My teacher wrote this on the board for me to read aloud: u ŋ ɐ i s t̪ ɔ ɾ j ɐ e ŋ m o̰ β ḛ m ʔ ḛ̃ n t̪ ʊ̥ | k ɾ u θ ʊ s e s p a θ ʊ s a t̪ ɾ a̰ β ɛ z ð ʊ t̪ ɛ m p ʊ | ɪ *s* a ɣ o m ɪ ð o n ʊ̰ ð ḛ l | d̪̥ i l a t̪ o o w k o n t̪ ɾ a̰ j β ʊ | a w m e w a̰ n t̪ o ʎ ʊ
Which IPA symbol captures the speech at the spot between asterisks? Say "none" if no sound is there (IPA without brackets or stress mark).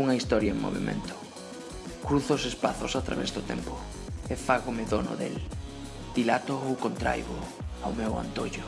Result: f